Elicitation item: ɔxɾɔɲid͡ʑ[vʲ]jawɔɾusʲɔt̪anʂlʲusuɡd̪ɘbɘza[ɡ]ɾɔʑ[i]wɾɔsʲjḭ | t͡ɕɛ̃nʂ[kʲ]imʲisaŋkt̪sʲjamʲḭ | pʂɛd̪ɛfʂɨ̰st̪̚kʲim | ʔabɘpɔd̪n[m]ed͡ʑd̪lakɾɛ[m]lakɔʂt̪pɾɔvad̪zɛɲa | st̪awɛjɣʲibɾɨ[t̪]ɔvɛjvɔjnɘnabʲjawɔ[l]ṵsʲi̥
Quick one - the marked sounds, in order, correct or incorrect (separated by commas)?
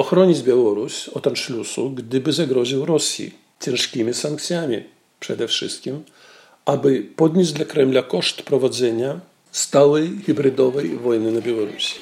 incorrect, correct, correct, correct, incorrect, correct, incorrect, incorrect